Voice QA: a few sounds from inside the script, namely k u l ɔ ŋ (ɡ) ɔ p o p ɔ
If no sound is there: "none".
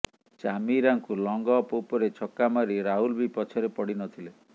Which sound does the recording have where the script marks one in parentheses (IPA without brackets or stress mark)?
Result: ɡ